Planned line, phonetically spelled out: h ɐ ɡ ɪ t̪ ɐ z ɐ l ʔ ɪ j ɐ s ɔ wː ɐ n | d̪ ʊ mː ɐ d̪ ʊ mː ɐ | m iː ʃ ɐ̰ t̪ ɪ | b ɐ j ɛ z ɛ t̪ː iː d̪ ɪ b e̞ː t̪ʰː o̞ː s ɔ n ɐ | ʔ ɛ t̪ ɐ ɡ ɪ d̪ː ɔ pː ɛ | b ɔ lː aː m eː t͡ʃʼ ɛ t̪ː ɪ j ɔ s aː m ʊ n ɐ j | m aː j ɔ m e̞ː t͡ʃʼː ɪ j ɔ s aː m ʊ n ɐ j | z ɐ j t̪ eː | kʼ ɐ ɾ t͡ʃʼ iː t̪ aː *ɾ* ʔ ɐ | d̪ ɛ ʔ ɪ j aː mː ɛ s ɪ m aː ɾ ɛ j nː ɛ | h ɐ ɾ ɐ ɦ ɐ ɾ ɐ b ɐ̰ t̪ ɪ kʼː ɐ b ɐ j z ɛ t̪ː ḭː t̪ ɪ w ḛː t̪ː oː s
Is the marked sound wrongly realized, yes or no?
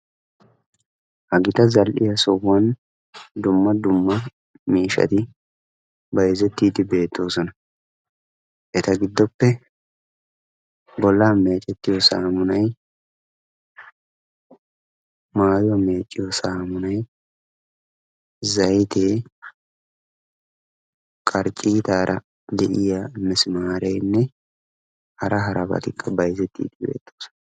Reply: no